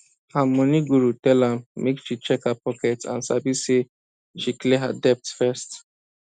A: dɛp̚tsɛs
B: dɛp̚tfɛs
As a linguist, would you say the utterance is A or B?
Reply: B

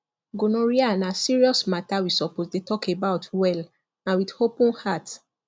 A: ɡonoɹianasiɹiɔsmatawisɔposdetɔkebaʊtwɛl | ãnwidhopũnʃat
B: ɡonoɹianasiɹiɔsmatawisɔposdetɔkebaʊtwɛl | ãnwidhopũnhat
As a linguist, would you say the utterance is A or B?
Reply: B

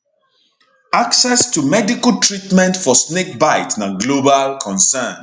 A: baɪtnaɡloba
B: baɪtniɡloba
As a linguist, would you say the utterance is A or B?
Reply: A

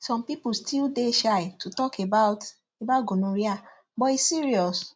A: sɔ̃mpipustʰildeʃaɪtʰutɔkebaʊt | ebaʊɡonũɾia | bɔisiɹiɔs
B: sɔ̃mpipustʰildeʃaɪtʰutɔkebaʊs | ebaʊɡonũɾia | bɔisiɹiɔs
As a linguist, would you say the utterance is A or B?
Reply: A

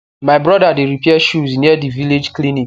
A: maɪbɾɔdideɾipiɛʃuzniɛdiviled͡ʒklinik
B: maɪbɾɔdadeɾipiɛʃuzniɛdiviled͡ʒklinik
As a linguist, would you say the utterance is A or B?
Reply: B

